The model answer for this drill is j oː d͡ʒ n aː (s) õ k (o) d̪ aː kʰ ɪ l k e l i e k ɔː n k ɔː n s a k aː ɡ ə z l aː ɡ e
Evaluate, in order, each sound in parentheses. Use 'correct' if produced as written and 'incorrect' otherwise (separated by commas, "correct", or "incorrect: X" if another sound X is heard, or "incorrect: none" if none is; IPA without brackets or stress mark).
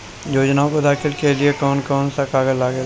incorrect: none, correct